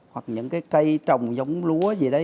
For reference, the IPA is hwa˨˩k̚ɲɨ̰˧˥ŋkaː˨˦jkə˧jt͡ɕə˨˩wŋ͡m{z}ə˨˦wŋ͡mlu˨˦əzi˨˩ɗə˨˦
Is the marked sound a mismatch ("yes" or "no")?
no